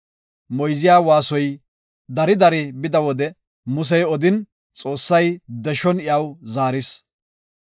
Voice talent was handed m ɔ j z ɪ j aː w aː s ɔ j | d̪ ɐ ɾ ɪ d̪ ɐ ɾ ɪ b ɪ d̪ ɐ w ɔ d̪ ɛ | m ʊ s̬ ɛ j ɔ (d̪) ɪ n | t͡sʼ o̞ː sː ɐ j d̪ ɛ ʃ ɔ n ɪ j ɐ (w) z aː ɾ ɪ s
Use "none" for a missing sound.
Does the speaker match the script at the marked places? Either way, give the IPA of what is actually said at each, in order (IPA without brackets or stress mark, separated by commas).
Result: d̪, w